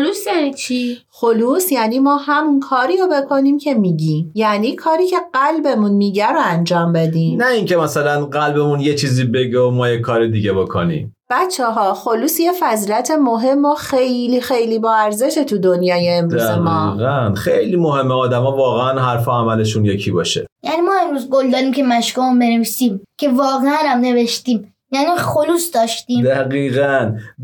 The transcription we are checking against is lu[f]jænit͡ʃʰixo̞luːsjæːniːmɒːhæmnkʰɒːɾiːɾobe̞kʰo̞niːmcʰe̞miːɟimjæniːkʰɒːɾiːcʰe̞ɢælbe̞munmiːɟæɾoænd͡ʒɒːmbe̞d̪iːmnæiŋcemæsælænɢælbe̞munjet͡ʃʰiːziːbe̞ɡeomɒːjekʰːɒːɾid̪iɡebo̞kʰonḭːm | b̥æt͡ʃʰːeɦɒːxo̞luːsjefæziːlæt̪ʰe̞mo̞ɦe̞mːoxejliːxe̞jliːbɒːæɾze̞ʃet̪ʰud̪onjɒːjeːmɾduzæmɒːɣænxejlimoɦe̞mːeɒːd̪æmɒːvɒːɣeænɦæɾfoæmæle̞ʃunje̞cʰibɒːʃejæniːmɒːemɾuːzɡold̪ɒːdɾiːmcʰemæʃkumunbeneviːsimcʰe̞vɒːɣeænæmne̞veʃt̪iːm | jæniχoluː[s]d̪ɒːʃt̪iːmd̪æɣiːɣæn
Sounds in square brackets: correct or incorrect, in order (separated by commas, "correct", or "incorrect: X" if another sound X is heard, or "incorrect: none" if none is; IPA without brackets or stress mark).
incorrect: s, correct